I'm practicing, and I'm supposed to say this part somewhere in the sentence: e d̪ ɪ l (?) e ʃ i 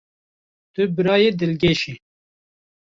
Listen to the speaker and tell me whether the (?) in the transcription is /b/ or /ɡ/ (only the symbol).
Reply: ɡ